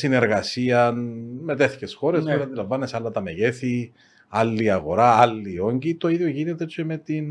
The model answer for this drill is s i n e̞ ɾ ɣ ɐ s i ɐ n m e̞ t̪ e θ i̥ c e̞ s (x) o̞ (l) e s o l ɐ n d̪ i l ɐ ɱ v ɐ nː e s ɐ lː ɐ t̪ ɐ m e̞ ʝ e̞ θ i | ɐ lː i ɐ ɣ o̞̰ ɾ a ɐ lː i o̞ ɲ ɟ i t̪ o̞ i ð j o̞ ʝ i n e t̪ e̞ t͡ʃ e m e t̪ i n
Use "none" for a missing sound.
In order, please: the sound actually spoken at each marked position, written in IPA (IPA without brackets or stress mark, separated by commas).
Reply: x, ɾ